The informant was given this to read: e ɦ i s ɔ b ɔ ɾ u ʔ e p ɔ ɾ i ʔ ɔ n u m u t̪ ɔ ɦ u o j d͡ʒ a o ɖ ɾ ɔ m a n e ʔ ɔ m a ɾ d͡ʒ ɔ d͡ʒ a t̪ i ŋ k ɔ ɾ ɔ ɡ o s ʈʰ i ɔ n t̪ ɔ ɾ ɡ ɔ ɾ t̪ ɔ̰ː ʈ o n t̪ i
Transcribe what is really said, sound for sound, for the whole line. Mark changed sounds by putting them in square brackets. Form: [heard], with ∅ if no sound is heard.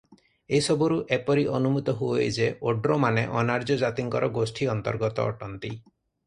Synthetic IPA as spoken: e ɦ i s ɔ b ɔ ɾ u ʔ e p ɔ ɾ i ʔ ɔ n u m u t̪ ɔ ɦ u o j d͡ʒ [e] o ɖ ɾ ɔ m a n e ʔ ɔ [n] a ɾ d͡ʒ ɔ d͡ʒ a t̪ i ŋ k ɔ ɾ ɔ ɡ o s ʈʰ i ɔ n t̪ ɔ ɾ ɡ ɔ [∅] t̪ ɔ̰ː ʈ [ɔ] n t̪ i